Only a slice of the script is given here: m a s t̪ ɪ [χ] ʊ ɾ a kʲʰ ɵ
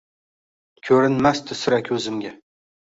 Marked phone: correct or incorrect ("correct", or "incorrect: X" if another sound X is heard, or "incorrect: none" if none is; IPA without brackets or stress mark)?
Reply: incorrect: s